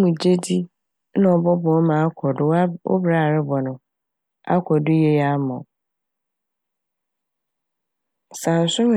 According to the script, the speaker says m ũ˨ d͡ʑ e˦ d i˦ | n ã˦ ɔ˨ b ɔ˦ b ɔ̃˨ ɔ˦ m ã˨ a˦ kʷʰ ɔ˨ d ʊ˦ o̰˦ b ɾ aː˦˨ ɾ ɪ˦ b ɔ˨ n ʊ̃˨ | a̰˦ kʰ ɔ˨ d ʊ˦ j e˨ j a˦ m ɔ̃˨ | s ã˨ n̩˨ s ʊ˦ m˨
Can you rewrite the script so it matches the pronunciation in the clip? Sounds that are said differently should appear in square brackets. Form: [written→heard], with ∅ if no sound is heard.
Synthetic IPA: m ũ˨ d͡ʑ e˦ d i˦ | n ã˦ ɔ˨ b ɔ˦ b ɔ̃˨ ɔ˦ m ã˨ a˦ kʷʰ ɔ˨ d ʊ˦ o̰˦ b ɾ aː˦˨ ɾ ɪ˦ b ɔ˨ n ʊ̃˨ | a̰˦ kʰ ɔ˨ d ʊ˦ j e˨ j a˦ m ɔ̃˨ | s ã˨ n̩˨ s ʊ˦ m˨